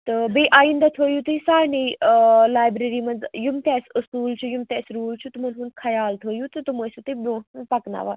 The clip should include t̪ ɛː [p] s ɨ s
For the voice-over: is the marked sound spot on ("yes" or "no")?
no